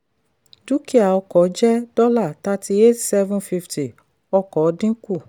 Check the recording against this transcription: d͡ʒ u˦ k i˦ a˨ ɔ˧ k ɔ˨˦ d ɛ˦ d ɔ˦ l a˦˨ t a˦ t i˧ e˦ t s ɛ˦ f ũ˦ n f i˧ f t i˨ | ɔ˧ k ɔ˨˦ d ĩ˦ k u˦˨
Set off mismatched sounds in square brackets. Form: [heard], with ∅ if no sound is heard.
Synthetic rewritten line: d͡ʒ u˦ k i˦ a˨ ɔ˧ k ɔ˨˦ [d͡ʒ] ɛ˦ d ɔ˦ l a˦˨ t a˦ t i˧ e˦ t s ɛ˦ [v] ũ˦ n f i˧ f t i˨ | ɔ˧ k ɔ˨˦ d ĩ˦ k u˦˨

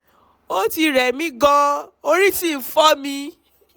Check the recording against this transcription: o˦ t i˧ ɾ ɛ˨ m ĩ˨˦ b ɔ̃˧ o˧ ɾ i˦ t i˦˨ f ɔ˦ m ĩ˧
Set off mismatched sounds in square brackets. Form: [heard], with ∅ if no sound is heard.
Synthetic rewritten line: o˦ t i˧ ɾ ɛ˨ m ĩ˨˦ [ɡ] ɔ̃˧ o˧ ɾ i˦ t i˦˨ f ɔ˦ m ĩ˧

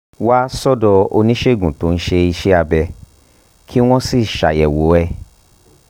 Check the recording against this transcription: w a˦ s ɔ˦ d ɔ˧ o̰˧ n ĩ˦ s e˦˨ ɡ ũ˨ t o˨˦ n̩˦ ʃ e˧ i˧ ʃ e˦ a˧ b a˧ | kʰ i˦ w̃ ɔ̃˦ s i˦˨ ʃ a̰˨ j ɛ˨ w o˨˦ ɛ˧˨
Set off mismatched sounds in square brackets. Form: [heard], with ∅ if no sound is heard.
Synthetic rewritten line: w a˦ s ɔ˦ d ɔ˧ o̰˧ n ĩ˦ [ʃ] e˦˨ ɡ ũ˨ t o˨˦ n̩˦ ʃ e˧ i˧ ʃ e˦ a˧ b [ɛ˧] | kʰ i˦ w̃ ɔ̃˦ s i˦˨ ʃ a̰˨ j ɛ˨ w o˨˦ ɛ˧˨

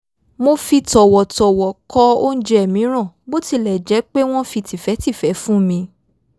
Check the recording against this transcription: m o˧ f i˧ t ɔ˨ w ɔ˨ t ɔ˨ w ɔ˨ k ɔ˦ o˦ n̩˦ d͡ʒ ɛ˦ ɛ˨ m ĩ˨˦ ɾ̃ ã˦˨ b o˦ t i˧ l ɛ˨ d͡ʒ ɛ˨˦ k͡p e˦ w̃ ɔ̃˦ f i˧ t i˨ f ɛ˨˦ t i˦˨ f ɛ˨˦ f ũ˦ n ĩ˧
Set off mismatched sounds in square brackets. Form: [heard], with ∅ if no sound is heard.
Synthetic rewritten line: m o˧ f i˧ t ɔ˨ w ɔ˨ t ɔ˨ w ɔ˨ k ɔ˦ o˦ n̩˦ d͡ʒ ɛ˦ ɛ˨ m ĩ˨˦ ɾ̃ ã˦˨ b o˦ t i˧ l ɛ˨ d͡ʒ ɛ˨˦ k͡p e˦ w̃ ɔ̃˦ f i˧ t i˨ f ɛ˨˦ t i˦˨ f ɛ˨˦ f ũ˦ [m] ĩ˧

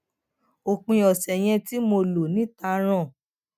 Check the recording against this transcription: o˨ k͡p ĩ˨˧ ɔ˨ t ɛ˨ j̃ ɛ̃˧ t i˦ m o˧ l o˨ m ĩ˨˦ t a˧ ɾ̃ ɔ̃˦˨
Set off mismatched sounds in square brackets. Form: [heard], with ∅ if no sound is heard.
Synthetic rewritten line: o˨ k͡p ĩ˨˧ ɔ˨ [s] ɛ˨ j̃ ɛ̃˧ t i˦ m o˧ l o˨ [n] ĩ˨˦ t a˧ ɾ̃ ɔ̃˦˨

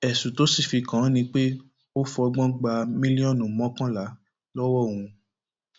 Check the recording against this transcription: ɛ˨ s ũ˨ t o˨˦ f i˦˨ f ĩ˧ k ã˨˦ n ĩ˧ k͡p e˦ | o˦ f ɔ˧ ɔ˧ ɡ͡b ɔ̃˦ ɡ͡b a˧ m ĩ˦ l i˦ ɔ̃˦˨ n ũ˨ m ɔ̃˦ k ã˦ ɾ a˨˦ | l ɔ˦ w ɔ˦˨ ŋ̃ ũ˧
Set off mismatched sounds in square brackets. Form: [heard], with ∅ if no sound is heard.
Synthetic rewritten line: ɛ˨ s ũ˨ t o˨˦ [s] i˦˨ f [i˧] k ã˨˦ n ĩ˧ k͡p e˦ | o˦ f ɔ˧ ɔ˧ ɡ͡b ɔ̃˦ ɡ͡b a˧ m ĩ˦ l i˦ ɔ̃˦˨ n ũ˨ m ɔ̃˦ k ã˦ [l] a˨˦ | l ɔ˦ w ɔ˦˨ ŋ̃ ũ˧

